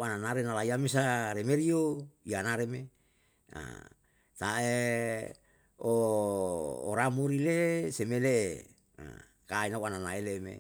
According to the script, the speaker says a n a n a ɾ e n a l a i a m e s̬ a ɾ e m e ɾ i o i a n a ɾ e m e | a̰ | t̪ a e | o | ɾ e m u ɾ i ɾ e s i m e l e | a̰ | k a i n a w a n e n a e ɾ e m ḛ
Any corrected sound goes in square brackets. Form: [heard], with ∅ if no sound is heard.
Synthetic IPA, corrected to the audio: a n a n a ɾ e n a l a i a m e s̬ a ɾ e m e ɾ i o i a n a ɾ e m e | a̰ | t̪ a e | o | ɾ [a] m u ɾ i [l] e s [e] m e l e | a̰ | k a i n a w a n [a] n a e [l] e m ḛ